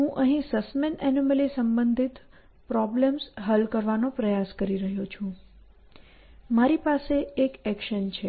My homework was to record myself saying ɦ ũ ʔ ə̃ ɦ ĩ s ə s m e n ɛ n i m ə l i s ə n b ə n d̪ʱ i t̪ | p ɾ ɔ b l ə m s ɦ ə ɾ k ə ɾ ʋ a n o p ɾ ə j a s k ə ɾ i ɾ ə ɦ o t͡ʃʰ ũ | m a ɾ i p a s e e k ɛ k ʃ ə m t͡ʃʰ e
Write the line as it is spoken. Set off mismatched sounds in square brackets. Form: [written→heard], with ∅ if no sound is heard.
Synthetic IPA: ɦ ũ ʔ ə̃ ɦ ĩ s ə s m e n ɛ n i m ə l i s ə [n→m] b ə n d̪ʱ i t̪ | p ɾ ɔ b l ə m s ɦ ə [ɾ→l] k ə ɾ ʋ a n o p ɾ ə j a s k ə ɾ i ɾ ə ɦ o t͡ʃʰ ũ | m a ɾ i p a s e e k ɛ k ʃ ə [m→n] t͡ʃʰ e

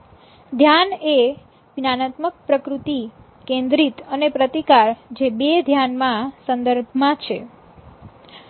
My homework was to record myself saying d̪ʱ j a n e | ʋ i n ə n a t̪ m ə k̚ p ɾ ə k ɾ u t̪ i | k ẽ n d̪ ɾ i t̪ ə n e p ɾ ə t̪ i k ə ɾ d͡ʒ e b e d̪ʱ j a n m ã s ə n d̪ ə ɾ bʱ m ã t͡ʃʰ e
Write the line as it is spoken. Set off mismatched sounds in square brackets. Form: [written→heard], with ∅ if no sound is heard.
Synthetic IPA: d̪ʱ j a n e | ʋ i n [ə→a] n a t̪ m ə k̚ p ɾ ə k ɾ u t̪ i | k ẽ n d̪ ɾ i t̪ ə n e p ɾ ə t̪ i k [ə→a] ɾ d͡ʒ e b e d̪ʱ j a n m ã s ə n d̪ ə ɾ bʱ m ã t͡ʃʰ e

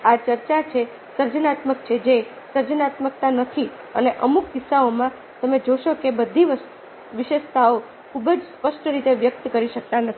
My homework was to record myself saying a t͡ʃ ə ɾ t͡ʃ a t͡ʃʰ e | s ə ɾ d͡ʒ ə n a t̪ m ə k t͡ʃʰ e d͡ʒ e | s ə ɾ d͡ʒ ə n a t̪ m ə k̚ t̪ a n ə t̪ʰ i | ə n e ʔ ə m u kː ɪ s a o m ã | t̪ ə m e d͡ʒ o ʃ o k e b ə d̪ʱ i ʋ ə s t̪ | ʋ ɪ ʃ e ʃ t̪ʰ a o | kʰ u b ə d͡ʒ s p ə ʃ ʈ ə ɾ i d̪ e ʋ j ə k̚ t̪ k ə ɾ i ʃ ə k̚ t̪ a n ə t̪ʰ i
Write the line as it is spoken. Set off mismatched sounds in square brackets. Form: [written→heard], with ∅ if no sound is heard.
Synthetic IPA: a t͡ʃ ə ɾ t͡ʃ a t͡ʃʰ e | s ə ɾ d͡ʒ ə n a t̪ m ə k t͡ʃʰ e d͡ʒ e | s ə ɾ d͡ʒ ə n a t̪ m ə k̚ t̪ a n ə t̪ʰ i | ə n e ʔ ə m u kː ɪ s a o m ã | t̪ ə m e d͡ʒ o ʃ o k e b ə d̪ʱ i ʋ ə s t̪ | ʋ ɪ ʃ e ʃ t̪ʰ a o | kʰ u b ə d͡ʒ s p ə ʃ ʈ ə ɾ i [d̪→t̪] e ʋ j ə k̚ t̪ k ə ɾ i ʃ ə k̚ t̪ a n ə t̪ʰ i

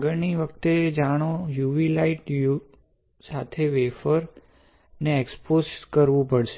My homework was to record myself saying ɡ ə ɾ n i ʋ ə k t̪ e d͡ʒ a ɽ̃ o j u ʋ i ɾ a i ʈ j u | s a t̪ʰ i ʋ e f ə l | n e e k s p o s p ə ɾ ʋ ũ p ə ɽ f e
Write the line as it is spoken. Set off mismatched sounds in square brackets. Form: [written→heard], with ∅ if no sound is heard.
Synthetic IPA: ɡ ə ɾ n i ʋ ə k t̪ e d͡ʒ a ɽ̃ o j u ʋ i [ɾ→l] a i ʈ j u | s a t̪ʰ [i→e] ʋ e f ə [l→ɾ] | n e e k s p o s [p→k] ə ɾ ʋ ũ p ə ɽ [f→ʃ] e

